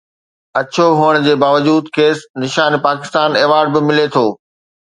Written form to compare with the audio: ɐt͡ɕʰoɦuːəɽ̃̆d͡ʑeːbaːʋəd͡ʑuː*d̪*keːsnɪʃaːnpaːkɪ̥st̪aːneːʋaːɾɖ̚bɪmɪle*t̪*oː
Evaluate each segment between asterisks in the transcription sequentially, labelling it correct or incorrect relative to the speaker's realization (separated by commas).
correct, incorrect